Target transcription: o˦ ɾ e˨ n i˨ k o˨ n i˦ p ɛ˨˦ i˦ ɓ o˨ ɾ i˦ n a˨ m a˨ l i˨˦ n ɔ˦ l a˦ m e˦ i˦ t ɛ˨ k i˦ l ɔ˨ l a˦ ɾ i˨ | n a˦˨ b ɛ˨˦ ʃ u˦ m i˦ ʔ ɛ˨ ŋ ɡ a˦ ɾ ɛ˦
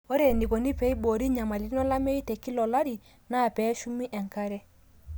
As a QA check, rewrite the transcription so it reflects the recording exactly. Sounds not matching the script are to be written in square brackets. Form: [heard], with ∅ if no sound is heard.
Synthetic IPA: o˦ ɾ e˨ n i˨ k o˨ n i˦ p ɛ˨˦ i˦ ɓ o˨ ɾ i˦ [ɲ] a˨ m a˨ l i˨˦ n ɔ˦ l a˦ m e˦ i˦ t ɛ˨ k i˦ l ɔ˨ l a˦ ɾ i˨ | n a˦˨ [p] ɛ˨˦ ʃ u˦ m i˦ ʔ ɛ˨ ŋ [k] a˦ ɾ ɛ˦

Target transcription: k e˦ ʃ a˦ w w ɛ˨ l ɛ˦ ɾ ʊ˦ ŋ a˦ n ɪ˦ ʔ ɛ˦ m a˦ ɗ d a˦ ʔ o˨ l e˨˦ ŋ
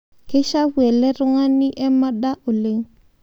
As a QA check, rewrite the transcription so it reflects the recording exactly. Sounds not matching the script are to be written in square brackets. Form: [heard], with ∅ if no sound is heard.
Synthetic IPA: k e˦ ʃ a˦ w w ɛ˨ l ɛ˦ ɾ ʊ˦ ŋ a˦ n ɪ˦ ʔ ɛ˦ m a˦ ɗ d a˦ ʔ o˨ l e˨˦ ŋ

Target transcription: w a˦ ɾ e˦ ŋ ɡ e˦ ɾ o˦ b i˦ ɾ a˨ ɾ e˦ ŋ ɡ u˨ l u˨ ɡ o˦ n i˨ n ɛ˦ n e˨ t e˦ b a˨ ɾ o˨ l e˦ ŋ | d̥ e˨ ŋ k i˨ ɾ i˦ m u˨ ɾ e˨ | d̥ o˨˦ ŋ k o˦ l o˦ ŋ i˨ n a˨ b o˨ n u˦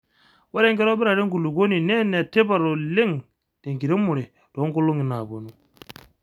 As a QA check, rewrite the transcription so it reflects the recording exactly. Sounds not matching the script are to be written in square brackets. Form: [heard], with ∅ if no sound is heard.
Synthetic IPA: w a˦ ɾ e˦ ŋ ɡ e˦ ɾ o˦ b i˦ ɾ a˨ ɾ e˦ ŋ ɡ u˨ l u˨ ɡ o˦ n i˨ n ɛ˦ n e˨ t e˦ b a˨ ɾ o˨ l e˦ ŋ | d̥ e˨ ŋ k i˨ ɾ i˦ m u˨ ɾ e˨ | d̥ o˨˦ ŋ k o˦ l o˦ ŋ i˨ n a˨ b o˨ n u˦

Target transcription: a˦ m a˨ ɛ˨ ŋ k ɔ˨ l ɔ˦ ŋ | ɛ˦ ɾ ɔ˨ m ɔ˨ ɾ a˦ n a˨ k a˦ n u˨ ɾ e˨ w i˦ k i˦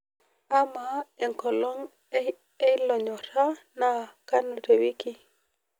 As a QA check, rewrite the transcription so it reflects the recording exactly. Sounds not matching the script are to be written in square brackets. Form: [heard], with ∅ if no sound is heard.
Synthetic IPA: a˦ m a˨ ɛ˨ ŋ k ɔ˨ l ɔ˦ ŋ | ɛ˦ [l] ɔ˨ [ɲ] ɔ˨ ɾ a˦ n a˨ k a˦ n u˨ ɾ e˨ w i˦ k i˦

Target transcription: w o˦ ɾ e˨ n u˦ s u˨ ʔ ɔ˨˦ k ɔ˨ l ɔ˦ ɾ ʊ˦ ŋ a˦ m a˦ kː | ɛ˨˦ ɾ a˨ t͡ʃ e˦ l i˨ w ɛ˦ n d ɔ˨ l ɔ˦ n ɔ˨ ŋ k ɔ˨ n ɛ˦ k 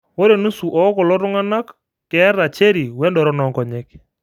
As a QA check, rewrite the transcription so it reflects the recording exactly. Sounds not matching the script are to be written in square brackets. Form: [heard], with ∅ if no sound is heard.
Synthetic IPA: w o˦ ɾ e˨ n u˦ s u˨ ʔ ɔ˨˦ k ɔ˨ l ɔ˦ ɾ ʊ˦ ŋ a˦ [n] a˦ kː | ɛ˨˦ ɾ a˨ t͡ʃ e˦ [ɾ] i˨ w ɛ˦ n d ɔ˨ [ɾ] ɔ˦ n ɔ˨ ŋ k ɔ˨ [ɲ] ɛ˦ k

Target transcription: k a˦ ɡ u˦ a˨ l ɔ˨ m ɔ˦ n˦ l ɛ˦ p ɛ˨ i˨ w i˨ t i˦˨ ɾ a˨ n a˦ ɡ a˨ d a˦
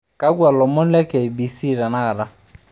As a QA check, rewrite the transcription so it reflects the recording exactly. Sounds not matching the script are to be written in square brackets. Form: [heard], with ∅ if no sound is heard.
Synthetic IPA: k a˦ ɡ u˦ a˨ l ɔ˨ m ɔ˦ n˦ l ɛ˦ [k] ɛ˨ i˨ [b] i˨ [s] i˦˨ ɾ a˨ n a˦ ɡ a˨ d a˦

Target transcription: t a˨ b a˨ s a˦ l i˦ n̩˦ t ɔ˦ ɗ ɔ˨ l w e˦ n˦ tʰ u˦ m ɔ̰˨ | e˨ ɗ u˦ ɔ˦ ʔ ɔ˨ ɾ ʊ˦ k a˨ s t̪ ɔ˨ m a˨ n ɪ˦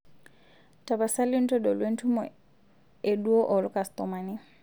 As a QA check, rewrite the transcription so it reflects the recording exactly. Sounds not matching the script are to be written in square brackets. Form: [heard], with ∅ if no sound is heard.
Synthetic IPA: t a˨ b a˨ s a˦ l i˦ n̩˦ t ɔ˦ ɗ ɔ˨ l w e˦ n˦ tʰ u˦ m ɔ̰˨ | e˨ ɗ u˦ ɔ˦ ʔ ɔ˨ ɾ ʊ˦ k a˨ s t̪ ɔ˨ m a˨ n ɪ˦

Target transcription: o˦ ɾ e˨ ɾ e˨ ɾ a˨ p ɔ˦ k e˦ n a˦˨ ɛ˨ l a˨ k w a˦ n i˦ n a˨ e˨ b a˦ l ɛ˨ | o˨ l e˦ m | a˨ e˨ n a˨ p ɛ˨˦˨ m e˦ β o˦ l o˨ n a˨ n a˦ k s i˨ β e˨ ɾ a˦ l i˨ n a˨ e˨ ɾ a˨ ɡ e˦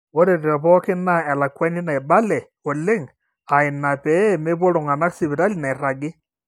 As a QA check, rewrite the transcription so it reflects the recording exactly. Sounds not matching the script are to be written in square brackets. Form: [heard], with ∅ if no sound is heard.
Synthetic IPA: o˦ ɾ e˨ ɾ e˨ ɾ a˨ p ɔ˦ k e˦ n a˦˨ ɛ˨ l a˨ k w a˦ n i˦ n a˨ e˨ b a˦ l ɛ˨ | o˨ l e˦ [ŋ] | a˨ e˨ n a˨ p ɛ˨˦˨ m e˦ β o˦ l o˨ [ŋ] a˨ n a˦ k s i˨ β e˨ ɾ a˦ l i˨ n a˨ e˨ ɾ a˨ ɡ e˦

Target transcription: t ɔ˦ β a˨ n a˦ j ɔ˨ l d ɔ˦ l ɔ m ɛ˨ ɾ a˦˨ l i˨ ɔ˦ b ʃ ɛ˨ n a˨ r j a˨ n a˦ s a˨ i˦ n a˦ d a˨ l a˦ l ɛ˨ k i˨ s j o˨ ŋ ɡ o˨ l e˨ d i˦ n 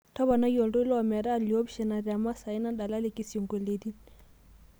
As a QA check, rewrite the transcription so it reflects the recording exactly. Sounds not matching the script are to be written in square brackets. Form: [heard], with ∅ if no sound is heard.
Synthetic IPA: t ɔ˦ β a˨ n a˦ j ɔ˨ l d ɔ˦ l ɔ m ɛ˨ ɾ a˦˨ l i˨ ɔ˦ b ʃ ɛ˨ n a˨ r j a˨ [m] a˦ s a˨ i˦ n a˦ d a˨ l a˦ l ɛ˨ k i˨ s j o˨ ŋ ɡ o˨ l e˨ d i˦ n

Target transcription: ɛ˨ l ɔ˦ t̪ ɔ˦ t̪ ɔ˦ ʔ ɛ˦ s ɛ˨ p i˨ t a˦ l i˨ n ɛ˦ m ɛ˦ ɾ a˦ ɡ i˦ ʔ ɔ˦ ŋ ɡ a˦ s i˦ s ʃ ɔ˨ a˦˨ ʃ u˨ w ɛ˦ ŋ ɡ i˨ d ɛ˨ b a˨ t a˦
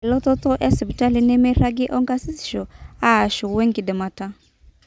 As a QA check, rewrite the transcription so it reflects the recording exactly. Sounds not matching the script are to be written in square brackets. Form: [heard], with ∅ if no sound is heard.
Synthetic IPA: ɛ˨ l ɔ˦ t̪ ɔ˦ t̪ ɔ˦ ʔ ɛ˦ s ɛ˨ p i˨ t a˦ l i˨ n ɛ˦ m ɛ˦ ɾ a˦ ɡ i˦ ʔ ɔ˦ ŋ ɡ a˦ s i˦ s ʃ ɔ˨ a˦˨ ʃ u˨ w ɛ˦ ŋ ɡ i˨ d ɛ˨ [m] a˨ t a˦

